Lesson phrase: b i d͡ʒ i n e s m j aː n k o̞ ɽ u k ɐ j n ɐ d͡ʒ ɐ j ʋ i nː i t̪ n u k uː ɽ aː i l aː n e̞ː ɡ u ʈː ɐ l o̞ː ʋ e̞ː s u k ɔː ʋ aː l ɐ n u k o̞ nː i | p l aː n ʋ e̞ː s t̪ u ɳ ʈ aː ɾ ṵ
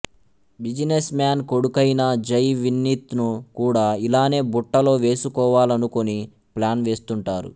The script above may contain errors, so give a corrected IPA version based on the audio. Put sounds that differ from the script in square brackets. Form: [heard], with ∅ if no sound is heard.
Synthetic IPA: b i d͡ʒ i n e s m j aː n k o̞ ɽ u k ɐ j n ɐ d͡ʒ ɐ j ʋ i nː i t̪ n u k uː ɽ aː i l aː n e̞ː [b] u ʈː ɐ l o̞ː ʋ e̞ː s u k ɔː ʋ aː l ɐ n u k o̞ [n] i | p l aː n ʋ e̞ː s t̪ u ɳ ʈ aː ɾ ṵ